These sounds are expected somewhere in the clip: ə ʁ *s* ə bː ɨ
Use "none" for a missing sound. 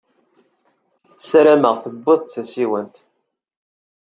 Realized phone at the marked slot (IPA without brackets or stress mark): θ